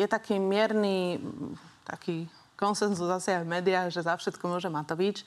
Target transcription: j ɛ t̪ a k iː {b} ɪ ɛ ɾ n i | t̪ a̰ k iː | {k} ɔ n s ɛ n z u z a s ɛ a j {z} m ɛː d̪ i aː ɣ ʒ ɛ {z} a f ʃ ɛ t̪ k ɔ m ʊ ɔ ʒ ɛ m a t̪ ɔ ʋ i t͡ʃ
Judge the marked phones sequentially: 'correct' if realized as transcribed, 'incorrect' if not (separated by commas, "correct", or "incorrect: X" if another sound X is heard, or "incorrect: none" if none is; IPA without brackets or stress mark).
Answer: incorrect: m, correct, incorrect: v, correct